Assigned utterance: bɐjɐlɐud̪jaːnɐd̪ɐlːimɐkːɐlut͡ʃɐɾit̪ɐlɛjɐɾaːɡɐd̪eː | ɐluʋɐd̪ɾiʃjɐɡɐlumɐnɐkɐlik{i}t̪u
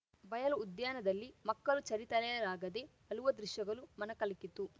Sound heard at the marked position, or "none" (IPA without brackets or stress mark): i